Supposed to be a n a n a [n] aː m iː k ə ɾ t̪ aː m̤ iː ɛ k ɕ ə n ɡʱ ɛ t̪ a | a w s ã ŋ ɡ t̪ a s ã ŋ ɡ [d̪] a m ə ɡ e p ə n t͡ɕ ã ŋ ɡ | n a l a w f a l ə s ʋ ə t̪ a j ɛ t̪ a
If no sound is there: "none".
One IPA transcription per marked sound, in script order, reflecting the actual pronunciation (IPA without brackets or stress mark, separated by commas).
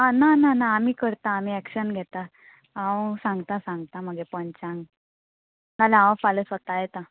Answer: n, t̪